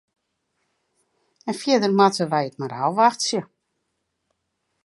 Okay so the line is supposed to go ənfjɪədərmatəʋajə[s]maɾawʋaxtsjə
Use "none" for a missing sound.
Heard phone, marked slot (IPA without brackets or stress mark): t